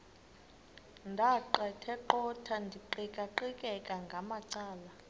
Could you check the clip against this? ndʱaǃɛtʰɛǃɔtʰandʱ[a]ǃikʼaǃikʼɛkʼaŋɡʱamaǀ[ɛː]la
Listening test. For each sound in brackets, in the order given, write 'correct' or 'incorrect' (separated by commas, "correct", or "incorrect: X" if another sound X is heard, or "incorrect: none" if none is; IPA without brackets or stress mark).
incorrect: i, incorrect: aː